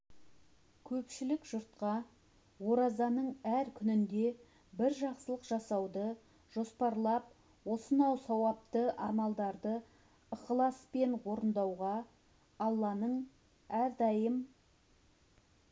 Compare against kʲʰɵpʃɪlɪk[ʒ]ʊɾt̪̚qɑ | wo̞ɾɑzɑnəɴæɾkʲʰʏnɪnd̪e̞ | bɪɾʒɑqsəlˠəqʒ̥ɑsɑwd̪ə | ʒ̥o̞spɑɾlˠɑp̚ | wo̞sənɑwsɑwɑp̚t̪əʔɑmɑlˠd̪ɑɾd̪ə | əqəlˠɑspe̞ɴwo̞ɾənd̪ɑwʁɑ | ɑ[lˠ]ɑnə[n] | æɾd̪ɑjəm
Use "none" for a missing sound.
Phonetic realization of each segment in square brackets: ʒ, lˠː, ɴ

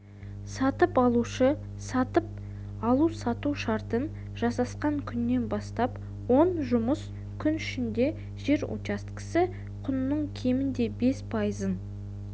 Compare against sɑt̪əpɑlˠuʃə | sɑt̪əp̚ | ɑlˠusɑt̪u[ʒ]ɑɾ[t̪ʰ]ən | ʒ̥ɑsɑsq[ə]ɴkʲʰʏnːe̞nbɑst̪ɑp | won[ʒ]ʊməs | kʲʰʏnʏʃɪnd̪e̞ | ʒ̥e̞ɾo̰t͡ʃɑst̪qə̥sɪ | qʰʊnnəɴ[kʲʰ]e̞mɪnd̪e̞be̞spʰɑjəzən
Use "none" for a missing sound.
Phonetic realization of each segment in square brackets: ʃ, t̪, ɑ, ʒ, kʲʰ

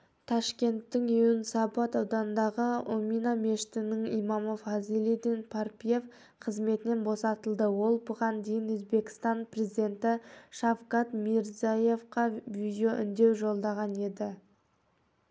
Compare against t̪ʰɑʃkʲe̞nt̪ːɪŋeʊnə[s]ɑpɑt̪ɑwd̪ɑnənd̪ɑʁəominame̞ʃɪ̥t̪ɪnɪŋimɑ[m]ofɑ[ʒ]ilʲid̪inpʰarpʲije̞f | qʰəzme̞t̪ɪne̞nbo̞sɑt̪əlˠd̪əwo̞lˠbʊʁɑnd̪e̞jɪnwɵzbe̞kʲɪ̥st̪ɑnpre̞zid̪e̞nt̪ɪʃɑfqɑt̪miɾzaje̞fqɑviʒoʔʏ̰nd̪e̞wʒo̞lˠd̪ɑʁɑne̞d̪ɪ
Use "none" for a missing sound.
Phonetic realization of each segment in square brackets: s, m, z

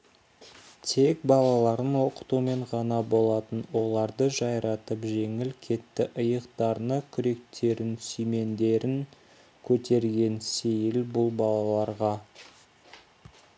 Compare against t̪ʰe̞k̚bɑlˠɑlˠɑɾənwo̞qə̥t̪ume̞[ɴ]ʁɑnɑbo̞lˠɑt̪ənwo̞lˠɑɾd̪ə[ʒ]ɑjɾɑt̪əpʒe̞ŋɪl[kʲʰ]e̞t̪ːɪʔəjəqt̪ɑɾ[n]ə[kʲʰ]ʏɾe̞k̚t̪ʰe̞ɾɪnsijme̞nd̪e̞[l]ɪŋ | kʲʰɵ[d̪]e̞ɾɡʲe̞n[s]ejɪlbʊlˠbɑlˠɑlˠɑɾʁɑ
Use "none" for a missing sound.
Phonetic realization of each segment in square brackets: ɴ, ʒ, kʲʰ, n, kʲʰ, ɾ, t̪, s

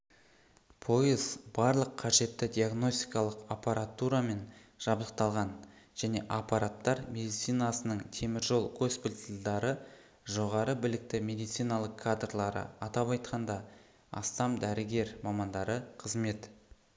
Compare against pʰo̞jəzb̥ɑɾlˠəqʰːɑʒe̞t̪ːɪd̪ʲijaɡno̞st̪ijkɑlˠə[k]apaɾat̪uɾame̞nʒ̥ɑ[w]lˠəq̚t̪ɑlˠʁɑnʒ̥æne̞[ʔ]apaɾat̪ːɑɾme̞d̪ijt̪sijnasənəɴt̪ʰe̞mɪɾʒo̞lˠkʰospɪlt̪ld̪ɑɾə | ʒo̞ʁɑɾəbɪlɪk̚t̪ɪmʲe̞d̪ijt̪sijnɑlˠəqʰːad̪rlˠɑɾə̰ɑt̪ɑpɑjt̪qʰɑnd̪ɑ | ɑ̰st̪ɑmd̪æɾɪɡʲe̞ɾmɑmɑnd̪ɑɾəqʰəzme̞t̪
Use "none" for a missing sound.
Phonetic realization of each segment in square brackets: q, b, ʔ

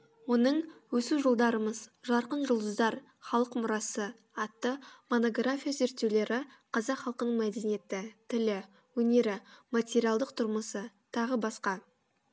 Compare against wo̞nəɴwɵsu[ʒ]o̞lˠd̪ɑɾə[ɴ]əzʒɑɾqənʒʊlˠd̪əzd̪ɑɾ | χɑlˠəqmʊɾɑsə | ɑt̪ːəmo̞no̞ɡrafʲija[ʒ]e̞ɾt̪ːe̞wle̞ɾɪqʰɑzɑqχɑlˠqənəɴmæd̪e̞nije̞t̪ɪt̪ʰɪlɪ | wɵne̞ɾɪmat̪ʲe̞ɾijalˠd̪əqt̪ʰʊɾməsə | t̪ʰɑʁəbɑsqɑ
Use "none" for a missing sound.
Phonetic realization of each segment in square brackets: ʒ, m, z

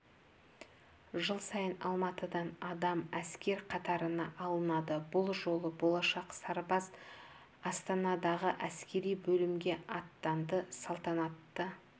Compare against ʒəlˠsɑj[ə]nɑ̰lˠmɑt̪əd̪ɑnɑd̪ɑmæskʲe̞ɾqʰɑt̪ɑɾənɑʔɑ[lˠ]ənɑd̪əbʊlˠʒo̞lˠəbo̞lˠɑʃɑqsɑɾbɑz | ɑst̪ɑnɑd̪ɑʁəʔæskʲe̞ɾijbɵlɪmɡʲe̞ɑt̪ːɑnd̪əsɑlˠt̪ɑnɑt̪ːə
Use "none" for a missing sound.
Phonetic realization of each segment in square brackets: ə, lˠ

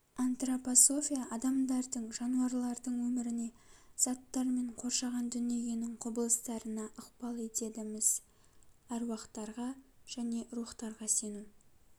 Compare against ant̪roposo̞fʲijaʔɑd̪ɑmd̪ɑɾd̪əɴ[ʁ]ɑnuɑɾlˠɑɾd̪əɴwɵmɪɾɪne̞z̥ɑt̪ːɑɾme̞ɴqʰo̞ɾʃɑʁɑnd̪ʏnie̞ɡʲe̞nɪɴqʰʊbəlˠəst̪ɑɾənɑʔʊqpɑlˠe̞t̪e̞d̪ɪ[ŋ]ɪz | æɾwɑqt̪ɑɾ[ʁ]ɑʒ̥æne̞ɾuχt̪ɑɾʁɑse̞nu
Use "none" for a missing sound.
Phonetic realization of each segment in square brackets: ʒ, m, ʁ

